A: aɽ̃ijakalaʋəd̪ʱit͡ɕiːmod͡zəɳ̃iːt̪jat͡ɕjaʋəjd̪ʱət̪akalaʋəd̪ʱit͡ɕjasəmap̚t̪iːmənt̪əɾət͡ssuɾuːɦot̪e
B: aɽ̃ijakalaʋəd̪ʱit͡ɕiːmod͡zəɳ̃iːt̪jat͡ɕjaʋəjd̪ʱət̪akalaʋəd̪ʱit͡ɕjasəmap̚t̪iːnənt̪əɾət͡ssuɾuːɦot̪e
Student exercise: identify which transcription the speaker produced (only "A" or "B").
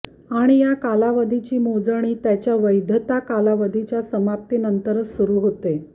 B